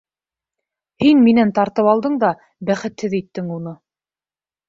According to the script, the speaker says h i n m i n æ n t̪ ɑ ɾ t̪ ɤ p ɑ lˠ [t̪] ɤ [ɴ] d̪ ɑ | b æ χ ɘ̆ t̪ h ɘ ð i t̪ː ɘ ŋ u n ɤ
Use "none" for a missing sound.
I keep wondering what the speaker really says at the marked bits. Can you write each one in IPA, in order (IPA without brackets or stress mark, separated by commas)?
d̪, ɴ